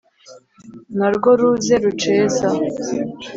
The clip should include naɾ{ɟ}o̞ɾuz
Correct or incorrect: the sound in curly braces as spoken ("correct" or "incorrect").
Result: incorrect